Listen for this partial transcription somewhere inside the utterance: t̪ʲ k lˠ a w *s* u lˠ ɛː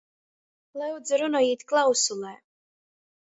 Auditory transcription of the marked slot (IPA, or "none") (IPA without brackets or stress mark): s